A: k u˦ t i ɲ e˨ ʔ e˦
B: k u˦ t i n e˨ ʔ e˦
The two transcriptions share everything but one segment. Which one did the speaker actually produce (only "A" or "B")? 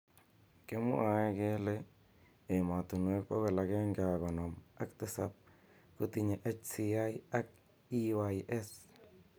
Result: A